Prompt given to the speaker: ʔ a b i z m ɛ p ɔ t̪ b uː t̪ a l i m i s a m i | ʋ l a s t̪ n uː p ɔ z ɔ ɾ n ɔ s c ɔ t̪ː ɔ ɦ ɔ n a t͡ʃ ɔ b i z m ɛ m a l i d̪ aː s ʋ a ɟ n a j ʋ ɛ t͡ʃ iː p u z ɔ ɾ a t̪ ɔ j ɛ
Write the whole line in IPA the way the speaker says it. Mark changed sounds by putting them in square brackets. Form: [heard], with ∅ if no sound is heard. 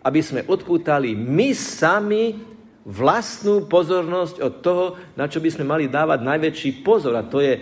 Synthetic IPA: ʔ a b i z m ɛ [ʔ] ɔ t̪ [p] uː t̪ a l i m i s a m i | ʋ l a s t̪ n uː p ɔ z ɔ ɾ n ɔ s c ɔ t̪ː ɔ ɦ ɔ n a t͡ʃ ɔ b i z m ɛ m a l i d̪ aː [∅] ʋ a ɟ n a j ʋ ɛ t͡ʃ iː p [ɔ] z ɔ ɾ a t̪ ɔ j ɛ